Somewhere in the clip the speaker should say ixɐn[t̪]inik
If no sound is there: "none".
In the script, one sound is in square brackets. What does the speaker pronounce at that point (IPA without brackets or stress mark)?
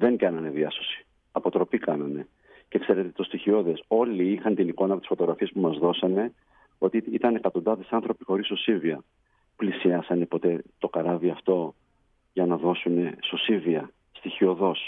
t̪